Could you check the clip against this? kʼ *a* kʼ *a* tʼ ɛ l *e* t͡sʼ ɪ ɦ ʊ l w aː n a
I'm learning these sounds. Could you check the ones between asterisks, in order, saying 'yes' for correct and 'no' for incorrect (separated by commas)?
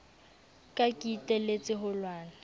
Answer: yes, no, yes